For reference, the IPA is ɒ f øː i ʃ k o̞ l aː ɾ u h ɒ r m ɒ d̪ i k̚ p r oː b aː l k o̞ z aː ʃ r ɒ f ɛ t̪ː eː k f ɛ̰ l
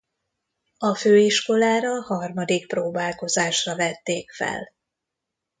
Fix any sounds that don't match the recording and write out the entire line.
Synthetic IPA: ɒ f øː i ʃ k o̞ l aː ɾ ɒ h ɒ r m ɒ d̪ i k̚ p r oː b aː l k o̞ z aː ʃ r ɒ v ɛ t̪ː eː k f ɛ̰ l